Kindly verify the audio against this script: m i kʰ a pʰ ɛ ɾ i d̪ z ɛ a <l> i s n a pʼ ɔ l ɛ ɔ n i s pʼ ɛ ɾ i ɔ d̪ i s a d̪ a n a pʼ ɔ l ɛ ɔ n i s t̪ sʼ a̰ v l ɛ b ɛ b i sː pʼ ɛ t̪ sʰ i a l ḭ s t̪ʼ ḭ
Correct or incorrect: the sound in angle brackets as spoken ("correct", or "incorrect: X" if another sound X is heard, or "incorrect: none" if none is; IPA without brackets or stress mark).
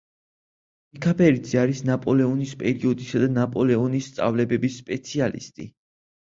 incorrect: ɾ